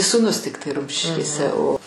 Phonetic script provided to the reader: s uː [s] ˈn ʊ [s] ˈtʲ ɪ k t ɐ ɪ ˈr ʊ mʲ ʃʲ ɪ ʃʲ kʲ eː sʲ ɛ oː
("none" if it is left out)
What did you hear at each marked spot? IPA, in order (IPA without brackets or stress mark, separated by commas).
none, s